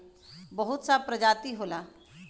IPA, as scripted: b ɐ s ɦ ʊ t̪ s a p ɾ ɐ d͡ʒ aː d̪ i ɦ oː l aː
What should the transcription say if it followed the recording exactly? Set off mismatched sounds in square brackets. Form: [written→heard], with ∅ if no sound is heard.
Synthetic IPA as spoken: b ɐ [s→∅] ɦ ʊ t̪ s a p ɾ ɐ d͡ʒ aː [d̪→t̪] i ɦ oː l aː